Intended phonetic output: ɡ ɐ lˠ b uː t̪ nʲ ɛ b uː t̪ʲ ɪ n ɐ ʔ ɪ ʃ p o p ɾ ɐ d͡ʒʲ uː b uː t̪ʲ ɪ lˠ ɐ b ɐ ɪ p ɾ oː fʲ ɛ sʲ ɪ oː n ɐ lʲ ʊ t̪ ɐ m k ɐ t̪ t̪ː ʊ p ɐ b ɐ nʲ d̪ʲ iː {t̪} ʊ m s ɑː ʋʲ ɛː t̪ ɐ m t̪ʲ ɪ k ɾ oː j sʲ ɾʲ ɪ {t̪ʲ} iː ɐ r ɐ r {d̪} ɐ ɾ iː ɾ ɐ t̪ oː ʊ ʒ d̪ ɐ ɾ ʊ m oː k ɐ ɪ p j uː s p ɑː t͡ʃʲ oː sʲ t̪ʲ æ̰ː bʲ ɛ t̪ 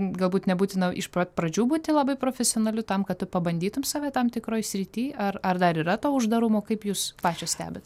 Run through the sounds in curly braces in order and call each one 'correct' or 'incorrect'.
correct, correct, correct

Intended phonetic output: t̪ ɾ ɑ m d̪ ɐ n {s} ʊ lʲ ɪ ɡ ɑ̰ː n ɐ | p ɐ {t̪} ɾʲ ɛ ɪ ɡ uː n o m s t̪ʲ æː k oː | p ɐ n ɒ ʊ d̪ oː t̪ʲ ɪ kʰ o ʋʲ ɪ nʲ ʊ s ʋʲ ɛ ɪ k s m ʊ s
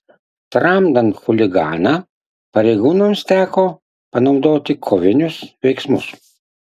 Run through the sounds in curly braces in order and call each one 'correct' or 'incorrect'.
incorrect: x, incorrect: none

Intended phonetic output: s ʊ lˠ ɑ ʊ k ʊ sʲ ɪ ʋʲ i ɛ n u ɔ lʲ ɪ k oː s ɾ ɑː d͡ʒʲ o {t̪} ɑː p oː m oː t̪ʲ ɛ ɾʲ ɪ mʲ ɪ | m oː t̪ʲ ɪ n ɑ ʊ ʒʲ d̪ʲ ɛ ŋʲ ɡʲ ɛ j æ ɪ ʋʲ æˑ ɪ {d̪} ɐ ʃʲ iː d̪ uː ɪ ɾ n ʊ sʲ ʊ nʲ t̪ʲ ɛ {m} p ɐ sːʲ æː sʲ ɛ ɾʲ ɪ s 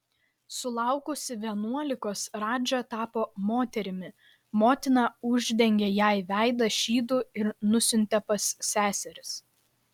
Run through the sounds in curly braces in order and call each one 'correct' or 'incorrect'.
correct, correct, incorrect: none

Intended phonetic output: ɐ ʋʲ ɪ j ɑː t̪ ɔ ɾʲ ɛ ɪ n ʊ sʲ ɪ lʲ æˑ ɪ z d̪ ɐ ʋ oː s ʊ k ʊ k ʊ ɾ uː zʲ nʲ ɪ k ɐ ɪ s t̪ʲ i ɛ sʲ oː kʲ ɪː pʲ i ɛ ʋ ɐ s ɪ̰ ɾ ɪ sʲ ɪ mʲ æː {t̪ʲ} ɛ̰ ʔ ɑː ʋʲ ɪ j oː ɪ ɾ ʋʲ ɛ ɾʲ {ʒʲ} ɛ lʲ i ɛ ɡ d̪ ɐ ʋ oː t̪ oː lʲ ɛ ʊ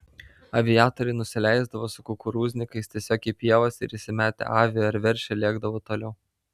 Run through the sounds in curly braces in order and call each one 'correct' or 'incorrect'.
correct, incorrect: ʃʲ

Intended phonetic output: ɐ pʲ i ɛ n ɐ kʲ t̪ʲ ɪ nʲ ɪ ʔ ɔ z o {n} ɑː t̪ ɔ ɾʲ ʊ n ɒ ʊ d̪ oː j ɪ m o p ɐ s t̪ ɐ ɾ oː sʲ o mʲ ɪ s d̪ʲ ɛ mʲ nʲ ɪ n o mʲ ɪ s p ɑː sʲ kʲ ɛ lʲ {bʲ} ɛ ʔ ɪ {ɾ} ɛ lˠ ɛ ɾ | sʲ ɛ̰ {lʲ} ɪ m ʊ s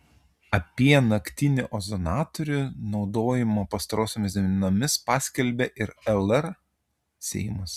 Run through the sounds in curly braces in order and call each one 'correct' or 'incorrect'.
correct, correct, correct, incorrect: none

